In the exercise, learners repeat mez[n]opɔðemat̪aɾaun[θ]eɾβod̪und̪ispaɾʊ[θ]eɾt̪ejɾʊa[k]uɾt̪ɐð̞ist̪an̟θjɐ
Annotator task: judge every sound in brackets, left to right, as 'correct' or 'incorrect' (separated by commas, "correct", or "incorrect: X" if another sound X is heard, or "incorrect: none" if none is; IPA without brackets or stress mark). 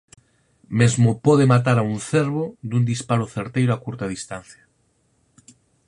incorrect: m, correct, correct, correct